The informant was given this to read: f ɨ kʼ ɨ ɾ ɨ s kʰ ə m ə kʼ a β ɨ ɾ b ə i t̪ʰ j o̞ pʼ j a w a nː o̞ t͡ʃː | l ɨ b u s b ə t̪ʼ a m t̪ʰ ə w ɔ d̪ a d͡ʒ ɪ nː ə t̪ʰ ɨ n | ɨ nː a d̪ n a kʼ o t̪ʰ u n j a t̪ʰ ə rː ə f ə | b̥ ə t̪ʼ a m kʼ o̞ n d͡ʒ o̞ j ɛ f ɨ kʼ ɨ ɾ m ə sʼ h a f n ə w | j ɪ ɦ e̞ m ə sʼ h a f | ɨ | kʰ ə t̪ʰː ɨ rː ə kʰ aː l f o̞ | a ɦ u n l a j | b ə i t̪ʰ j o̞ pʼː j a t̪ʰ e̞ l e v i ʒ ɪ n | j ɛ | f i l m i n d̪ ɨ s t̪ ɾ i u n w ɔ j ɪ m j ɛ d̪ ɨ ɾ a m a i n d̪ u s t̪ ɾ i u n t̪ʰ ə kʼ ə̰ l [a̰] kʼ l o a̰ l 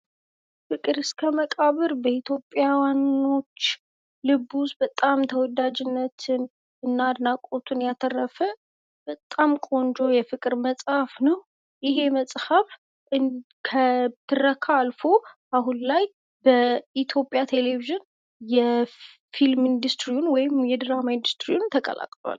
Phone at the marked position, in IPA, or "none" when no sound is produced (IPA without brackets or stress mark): a̰